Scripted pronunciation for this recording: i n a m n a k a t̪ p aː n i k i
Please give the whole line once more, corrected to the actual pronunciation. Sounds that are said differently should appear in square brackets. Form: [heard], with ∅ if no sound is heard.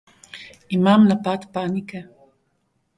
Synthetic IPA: i [m] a m n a [p] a t̪ p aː n i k [ɛ]